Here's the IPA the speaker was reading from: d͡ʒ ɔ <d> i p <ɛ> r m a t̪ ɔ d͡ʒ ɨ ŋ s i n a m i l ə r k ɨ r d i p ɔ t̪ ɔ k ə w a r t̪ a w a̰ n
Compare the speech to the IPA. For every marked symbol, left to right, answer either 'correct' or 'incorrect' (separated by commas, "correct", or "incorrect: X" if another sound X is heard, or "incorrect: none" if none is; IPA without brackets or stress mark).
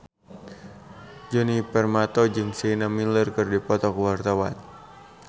incorrect: n, correct